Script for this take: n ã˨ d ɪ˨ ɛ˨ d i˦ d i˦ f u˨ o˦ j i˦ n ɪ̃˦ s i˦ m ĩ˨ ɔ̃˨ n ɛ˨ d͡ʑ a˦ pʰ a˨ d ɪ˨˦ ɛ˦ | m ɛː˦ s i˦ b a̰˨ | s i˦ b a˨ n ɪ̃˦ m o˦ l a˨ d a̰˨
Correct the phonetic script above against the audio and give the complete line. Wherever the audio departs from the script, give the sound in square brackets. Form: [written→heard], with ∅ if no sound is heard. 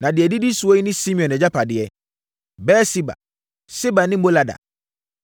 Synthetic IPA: n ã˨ d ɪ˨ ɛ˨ d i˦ d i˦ [f→s] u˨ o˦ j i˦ n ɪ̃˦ s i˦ m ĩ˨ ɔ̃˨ n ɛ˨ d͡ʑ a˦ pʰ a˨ d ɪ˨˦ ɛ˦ | [m→b] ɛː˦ s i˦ b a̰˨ | s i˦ b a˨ n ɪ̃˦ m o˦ l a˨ d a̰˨